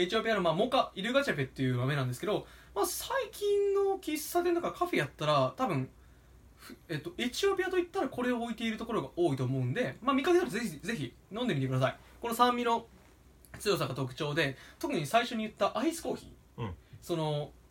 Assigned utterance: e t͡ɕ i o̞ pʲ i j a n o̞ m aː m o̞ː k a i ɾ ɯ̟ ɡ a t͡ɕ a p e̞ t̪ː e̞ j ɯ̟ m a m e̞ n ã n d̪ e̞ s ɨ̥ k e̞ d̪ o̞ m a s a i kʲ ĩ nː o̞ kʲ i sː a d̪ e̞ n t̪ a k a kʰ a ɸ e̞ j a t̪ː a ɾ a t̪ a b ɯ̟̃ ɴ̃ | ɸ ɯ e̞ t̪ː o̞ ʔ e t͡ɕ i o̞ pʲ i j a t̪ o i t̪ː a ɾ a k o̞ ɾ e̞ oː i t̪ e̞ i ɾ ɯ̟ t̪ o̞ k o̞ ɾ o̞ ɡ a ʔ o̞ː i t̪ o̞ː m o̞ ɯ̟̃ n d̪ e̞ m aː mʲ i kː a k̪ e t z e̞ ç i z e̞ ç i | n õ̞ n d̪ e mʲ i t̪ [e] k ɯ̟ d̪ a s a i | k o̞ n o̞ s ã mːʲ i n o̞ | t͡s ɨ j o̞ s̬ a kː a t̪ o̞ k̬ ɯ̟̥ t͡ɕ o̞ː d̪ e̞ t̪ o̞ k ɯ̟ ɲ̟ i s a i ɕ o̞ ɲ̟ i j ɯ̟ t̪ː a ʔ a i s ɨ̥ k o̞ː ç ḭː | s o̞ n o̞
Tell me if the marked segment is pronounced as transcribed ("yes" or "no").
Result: yes